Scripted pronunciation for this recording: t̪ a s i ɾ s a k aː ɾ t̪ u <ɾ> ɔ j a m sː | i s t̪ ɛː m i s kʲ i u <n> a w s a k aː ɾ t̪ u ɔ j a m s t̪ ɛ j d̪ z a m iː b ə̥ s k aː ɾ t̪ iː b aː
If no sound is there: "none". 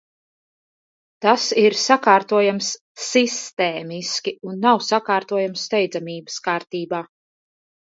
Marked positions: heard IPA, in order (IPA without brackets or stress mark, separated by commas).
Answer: none, nː